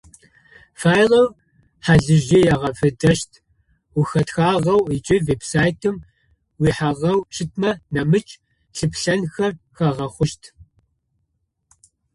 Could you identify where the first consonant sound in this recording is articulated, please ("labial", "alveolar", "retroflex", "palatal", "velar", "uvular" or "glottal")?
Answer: labial